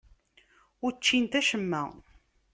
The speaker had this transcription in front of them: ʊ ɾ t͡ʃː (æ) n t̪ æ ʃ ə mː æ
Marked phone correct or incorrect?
incorrect